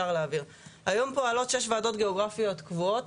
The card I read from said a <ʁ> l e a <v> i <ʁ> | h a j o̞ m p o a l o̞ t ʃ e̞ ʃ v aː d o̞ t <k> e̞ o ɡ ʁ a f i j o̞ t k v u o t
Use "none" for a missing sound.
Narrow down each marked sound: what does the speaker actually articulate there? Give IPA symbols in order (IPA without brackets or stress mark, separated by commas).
ʁ, v, ʁ, ɡ